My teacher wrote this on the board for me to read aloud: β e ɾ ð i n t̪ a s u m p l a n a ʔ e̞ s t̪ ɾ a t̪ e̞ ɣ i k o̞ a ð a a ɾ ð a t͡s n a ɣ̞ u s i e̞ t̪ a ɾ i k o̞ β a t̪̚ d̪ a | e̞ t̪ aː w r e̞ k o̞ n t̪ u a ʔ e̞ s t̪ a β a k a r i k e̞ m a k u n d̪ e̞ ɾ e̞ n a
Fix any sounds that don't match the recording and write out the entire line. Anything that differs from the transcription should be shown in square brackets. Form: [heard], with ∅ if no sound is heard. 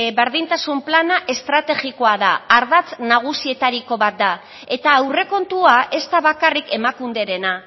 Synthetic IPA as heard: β e ɾ ð i n t̪ a s u m p l a n a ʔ e̞ s t̪ ɾ a t̪ e̞ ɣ i k o̞ a ð a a ɾ ð a t͡s n a ɣ̞ u s i e̞ t̪ a ɾ i k o̞ β a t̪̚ d̪ a | e̞ t̪ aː w r e̞ k o̞ n t̪ u a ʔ e̞ s t̪ a β a k a r i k e̞ m a k u n d̪ e̞ ɾ e̞ n a

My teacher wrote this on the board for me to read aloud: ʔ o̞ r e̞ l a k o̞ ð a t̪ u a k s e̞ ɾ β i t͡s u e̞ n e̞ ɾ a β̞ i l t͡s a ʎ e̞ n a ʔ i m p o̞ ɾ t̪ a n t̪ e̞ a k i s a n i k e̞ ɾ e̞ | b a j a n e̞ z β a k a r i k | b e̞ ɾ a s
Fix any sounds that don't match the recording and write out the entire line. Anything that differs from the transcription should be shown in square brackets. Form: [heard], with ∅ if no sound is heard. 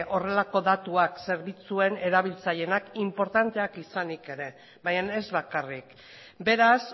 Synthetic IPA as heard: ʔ o̞ r e̞ l a k o̞ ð a t̪ u a k s e̞ ɾ β i t͡s u e̞ n e̞ ɾ a β̞ i l t͡s a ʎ e̞ n a [k] i m p o̞ ɾ t̪ a n t̪ e̞ a k i s a n i k e̞ ɾ e̞ | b a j a n e̞ z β a k a r i k | b e̞ ɾ a s

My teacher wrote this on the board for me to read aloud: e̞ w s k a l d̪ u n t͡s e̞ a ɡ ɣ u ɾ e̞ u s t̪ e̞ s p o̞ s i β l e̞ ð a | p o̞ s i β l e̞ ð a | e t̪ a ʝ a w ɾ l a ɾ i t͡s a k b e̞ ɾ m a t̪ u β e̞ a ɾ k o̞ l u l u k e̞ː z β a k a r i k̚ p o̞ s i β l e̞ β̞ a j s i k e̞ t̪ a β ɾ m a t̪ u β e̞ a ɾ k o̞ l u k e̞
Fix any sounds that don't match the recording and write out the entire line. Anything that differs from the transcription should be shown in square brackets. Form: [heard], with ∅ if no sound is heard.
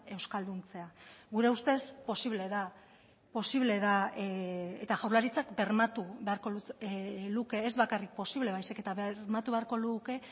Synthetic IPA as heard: e̞ w s k a l d̪ u n t͡s e̞ a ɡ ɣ u ɾ e̞ u s t̪ e̞ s p o̞ s i β l e̞ ð a | p o̞ s i β l e̞ ð a | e t̪ a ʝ a w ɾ l a ɾ i t͡s a k b e̞ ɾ m a t̪ u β e̞ a ɾ k o̞ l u l u k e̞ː z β a k a r i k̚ p o̞ s i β l e̞ β̞ a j s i k e̞ t̪ a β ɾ m a t̪ u β e̞ a ɾ k o̞ l u k e̞

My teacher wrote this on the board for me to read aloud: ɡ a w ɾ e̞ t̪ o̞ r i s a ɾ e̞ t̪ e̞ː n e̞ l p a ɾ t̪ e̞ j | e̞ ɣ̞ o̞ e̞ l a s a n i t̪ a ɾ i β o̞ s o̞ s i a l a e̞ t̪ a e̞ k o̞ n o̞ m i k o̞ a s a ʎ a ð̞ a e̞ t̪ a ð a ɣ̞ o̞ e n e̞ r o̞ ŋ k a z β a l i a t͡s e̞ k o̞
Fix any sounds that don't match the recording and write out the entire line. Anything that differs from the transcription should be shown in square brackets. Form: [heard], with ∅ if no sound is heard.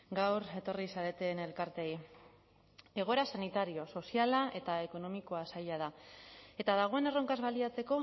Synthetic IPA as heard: ɡ a w ɾ e̞ t̪ o̞ r i s a ɾ e̞ t̪ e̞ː n e̞ l [k] a ɾ t̪ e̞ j | e̞ ɣ̞ o̞ e̞ [ɾ] a s a n i t̪ a ɾ i [∅] o̞ s o̞ s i a l a e̞ t̪ a e̞ k o̞ n o̞ m i k o̞ a s a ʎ a ð̞ a e̞ t̪ a ð a ɣ̞ o̞ e n e̞ r o̞ ŋ k a z β a l i a t͡s e̞ k o̞

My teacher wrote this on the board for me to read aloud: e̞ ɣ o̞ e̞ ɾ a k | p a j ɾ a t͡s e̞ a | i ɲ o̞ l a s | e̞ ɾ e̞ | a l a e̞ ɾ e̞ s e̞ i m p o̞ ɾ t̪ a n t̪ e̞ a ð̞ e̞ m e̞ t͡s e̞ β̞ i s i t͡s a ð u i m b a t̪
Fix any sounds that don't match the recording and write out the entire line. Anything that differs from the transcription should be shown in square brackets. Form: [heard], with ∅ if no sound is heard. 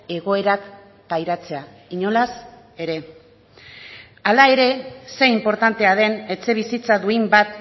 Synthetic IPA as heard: e̞ ɣ o̞ e̞ ɾ a k | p a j ɾ a t͡s e̞ a | i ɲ o̞ l a s | e̞ ɾ e̞ | a l a e̞ ɾ e̞ s e̞ i m p o̞ ɾ t̪ a n t̪ e̞ a ð̞ e̞ [n] e̞ t͡s e̞ β̞ i s i t͡s a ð u i m b a t̪

